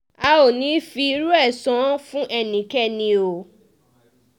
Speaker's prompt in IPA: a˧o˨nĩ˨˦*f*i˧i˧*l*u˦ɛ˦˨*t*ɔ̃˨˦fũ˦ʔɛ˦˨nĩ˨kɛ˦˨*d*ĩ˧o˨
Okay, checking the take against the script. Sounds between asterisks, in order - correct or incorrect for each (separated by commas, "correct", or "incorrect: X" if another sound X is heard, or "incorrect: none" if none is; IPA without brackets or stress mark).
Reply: correct, incorrect: ɾ, incorrect: s, incorrect: n